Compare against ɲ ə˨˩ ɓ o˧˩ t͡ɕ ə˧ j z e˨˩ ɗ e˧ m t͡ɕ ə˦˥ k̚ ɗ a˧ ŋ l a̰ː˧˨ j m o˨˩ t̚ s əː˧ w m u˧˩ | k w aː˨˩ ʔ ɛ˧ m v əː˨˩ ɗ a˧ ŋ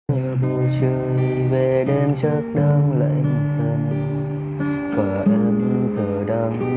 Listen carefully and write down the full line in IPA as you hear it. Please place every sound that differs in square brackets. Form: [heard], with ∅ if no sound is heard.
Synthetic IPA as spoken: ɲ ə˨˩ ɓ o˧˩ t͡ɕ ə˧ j [v] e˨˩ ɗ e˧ m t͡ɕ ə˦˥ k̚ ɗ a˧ ŋ l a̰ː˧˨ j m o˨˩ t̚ s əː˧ [∅] m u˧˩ | k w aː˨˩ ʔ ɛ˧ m [z] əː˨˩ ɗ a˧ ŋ